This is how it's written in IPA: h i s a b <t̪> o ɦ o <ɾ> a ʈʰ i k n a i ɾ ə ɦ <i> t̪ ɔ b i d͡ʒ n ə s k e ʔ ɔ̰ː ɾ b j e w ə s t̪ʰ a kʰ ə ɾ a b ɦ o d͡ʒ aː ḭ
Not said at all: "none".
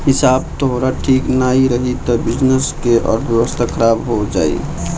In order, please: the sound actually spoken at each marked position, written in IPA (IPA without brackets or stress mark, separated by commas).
t̪, ɾ, i